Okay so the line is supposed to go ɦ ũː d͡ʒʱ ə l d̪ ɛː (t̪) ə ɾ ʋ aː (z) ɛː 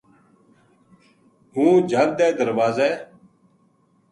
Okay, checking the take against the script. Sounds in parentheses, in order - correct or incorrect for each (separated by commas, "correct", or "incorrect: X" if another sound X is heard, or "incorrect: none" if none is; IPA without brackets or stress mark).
incorrect: d̪, correct